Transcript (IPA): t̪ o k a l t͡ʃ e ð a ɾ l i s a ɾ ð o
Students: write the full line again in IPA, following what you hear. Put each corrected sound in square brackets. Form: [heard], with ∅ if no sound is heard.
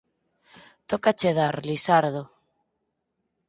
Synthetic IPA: t̪ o k a [∅] t͡ʃ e ð a ɾ l i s a ɾ ð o